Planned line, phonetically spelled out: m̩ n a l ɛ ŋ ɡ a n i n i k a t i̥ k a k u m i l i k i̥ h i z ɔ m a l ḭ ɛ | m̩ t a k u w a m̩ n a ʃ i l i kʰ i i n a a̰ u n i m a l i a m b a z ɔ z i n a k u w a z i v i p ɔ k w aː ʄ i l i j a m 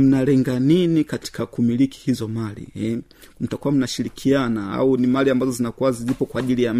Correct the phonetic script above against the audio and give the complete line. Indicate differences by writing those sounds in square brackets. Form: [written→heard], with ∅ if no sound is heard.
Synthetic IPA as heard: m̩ n a l ɛ ŋ ɡ a n i n i k a t i̥ k a k u m i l i k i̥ h i z ɔ m a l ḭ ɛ | m̩ t a k u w a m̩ n a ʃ i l i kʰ i [i→a] n a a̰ u n i m a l i a m b a z ɔ z i n a k u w a z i [v→z] i p ɔ k w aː ʄ i l i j a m